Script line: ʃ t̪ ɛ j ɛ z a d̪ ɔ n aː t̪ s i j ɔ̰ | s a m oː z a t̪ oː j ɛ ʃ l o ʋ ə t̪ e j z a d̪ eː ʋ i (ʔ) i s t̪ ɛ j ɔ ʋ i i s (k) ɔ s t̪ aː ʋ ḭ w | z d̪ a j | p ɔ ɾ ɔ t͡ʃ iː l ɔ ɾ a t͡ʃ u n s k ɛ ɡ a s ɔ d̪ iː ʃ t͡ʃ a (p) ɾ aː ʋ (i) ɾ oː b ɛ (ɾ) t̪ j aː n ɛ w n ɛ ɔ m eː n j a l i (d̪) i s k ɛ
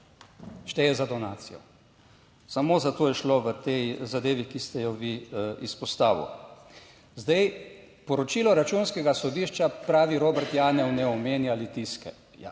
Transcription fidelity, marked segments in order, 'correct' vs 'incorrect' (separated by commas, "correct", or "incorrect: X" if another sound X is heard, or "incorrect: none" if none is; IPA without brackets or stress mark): incorrect: k, incorrect: p, correct, correct, correct, incorrect: t̪